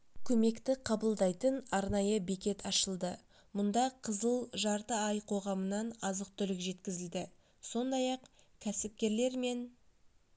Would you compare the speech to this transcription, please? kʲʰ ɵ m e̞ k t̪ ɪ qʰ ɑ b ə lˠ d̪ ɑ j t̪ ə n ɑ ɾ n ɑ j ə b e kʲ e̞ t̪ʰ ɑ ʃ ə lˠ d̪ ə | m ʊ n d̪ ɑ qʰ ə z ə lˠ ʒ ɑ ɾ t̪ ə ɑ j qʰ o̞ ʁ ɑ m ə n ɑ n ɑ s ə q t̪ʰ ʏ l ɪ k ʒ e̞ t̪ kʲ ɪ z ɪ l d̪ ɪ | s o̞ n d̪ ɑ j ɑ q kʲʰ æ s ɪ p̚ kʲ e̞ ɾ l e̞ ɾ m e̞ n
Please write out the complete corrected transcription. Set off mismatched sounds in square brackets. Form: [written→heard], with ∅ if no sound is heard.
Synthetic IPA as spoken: kʲʰ ɵ m e̞ k t̪ ɪ qʰ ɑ b ə lˠ d̪ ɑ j t̪ ə n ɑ ɾ n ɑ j ə b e kʲ e̞ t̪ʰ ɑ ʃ ə lˠ d̪ ə | m ʊ n d̪ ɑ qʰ ə z ə lˠ ʒ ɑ ɾ t̪ ə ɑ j qʰ o̞ ʁ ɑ m ə n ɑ n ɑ [s→z] ə q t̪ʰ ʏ l ɪ k ʒ e̞ t̪ kʲ ɪ z ɪ l d̪ ɪ | s o̞ n d̪ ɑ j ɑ q kʲʰ æ s ɪ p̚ kʲ e̞ ɾ l e̞ ɾ m e̞ n